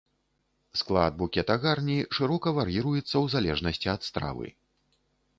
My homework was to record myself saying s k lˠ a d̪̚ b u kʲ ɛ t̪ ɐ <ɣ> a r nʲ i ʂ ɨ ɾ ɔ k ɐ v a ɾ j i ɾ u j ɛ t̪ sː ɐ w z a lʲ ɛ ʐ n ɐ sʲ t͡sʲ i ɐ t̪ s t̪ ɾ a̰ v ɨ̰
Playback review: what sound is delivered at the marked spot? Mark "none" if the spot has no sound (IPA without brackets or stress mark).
ɣ